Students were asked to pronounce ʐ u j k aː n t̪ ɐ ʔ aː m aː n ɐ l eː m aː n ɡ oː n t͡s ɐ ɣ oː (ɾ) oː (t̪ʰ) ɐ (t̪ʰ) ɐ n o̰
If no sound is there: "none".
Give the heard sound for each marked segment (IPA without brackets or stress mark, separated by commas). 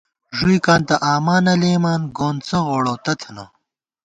ɽ, t̪, t̪ʰ